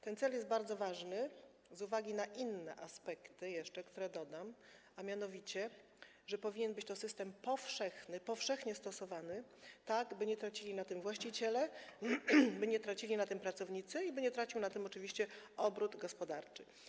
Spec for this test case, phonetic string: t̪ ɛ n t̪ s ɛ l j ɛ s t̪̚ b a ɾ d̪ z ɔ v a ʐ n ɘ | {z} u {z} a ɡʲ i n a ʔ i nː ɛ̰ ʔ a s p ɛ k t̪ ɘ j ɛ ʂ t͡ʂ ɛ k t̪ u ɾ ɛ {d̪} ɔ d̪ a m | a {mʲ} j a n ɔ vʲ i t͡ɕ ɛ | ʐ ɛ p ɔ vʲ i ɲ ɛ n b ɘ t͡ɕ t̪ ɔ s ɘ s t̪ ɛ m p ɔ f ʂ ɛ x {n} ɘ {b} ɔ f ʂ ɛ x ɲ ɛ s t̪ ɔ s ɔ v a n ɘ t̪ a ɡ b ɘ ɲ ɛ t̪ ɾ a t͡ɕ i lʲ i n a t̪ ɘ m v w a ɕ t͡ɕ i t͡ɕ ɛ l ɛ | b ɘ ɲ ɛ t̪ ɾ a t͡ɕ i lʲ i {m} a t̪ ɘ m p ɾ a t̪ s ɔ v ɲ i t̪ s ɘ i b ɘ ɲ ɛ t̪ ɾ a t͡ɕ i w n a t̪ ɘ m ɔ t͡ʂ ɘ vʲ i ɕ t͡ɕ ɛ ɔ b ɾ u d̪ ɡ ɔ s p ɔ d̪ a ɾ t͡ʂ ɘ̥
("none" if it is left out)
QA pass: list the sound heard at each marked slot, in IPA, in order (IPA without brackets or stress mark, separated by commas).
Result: z, v, d̪, mʲ, n, p, n